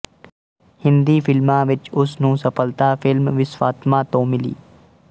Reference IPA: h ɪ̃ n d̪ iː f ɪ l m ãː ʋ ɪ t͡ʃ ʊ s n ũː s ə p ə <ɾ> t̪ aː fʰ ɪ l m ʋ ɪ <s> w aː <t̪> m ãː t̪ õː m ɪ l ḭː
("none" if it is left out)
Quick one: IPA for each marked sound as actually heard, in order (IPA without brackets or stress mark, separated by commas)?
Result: l, s, t̪